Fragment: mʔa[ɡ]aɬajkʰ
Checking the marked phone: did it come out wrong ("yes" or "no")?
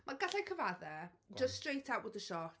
no